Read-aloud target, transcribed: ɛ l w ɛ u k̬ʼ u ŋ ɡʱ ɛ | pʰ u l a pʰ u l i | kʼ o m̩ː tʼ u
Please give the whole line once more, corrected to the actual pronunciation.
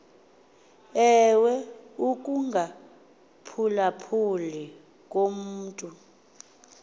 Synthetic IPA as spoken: ɛ w ɛ u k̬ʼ u ŋ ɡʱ a | pʰ u l a pʰ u l i | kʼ o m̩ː tʼ u

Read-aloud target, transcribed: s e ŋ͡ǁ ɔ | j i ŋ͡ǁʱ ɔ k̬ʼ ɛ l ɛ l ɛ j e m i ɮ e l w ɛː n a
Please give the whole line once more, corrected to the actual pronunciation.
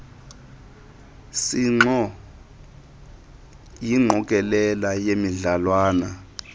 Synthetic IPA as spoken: s i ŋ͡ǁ ɔ | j i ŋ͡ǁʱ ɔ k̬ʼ ɛ l ɛ l a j e m i ɮ a l w aː n a

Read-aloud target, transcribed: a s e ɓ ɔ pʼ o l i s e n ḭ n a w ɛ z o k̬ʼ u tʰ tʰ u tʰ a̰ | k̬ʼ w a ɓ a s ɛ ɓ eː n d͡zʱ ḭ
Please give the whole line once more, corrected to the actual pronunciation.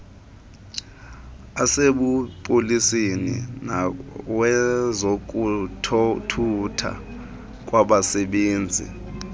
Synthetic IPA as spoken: a s e ɓ u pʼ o l i s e n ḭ n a w ɛ z o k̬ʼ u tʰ tʰ u tʰ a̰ | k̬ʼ w a ɓ a s ɛ ɓ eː n d͡zʱ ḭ

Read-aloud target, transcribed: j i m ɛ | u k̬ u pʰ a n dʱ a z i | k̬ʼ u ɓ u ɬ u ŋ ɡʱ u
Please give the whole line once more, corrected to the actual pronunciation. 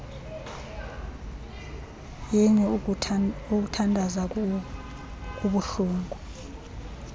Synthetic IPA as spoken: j i ɲ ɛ | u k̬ u tʰ a n dʱ a z a | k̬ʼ u ɓ u ɬ uː ŋ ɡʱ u

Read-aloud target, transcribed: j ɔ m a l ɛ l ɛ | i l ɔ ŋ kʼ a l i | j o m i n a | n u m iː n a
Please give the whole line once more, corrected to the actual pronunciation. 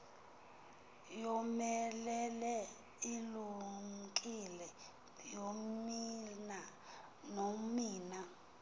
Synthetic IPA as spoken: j ɔ m ɛ l ɛ l ɛ | i l u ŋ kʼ i l ɛ | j o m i n a | n o m iː n a

